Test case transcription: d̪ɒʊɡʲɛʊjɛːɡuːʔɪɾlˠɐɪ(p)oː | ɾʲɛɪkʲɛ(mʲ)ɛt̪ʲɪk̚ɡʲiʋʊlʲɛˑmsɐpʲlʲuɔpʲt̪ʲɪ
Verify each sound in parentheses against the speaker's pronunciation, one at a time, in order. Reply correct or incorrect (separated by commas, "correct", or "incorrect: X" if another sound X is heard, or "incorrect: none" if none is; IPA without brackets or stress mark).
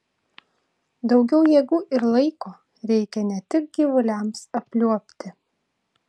incorrect: k, incorrect: nʲ